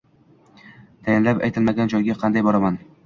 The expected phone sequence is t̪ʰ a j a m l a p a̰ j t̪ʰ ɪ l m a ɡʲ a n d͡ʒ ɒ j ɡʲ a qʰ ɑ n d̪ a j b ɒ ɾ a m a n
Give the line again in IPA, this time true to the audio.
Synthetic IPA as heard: t̪ʰ a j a n l a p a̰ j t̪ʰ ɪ l m a ɡʲ a n d͡ʒ ɒ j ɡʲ a qʰ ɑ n d̪ a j b ɒ ɾ a m a n